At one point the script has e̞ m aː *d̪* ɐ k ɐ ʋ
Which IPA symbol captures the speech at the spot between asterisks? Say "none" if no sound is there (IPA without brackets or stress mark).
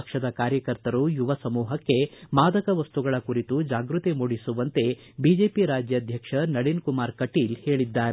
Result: d̪